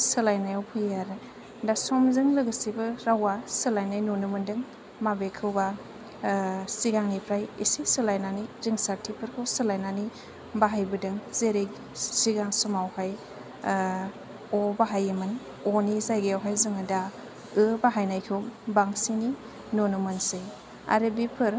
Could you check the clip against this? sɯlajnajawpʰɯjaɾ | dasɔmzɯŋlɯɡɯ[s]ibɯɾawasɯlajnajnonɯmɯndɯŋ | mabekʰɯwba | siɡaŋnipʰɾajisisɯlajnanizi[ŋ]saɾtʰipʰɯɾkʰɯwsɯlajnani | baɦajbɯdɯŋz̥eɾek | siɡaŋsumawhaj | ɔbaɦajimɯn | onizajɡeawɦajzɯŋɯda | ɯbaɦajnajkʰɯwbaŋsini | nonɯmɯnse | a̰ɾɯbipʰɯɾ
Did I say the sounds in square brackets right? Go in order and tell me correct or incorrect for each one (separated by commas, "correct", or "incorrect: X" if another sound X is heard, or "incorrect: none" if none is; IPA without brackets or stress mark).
correct, correct